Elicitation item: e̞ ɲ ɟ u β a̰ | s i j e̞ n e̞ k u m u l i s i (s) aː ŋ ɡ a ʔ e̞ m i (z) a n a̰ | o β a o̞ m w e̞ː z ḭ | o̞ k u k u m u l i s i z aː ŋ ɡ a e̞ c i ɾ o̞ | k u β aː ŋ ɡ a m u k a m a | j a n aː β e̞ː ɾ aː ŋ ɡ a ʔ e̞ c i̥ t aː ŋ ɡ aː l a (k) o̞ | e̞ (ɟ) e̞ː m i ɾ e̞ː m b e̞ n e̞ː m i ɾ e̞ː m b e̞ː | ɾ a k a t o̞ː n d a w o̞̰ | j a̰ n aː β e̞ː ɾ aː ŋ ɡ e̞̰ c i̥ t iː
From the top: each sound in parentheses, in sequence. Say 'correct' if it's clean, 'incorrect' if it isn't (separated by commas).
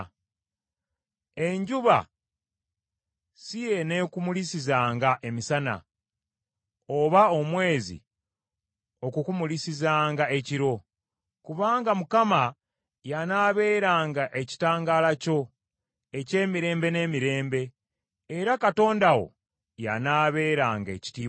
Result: incorrect, incorrect, incorrect, incorrect